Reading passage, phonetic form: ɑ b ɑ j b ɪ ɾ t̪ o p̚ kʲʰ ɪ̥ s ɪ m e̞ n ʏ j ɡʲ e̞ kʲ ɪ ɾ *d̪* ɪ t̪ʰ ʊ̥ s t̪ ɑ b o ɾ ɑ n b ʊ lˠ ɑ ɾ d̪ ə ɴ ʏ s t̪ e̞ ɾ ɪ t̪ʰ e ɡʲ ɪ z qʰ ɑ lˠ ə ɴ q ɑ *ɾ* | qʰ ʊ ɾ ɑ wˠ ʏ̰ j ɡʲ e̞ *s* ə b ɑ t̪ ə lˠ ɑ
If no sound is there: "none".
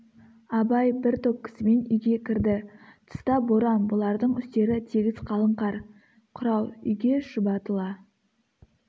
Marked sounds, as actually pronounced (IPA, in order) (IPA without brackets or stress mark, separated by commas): d̪, ɾ, ʃ